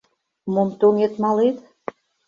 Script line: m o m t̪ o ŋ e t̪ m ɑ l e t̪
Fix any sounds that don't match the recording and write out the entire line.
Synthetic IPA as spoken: m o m t̪ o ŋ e t̪ m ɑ l e t̪

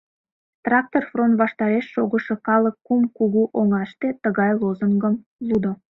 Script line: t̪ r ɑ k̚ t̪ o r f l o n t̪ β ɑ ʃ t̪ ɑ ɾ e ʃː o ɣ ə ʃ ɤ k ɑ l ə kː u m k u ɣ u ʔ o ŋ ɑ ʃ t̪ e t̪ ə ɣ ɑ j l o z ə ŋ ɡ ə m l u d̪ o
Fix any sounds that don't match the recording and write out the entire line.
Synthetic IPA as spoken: t̪ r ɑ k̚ t̪ o r f r o n t̪ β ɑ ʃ t̪ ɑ ɾ e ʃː o ɣ ə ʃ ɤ k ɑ l ə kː u m k u ɣ u ʔ o ŋ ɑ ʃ t̪ e t̪ ə ɣ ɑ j l o z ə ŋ ɡ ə m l u d̪ o

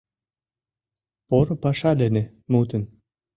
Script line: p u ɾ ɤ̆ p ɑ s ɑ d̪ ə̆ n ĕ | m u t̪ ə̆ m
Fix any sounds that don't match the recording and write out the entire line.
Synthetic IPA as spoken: p o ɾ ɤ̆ p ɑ ʃ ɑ d̪ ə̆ n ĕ | m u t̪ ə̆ n

